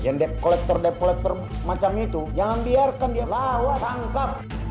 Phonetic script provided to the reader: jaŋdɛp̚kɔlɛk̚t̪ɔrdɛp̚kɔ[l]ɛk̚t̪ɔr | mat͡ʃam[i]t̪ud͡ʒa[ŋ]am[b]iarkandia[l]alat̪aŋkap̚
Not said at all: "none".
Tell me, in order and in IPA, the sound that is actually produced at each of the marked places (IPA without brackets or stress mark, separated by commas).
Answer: l, i, ŋ, b, l